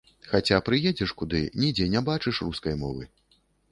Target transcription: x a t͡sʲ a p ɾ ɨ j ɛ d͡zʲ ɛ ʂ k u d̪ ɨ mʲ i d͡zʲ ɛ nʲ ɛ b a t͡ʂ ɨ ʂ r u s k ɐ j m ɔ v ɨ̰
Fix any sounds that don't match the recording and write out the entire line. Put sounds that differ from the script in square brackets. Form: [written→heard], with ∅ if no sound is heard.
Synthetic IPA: x a t͡sʲ a p ɾ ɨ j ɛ d͡zʲ ɛ ʂ k u d̪ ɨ [mʲ→nʲ] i d͡zʲ ɛ nʲ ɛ b a t͡ʂ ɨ ʂ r u s k ɐ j m ɔ v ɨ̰